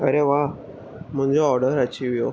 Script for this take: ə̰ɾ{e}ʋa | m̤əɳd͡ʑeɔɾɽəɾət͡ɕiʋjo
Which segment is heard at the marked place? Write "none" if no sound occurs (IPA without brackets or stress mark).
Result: e